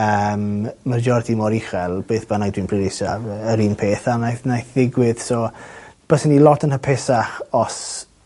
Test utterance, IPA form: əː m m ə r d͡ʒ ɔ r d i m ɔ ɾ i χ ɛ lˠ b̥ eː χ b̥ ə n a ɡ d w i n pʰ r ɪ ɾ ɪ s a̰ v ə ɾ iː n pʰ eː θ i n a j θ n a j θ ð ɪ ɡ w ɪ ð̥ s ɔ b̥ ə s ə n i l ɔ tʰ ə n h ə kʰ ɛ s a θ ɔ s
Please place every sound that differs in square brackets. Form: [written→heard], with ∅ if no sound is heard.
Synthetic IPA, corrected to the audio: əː m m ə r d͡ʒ ɔ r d i m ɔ ɾ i χ ɛ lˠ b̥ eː [χ→θ] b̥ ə n a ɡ d w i n pʰ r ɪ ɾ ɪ s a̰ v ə ɾ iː n pʰ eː θ [i→a] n a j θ n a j θ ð ɪ ɡ w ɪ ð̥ s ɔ b̥ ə s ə n i l ɔ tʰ ə n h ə [kʰ→pʰ] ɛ s a [θ→χ] ɔ s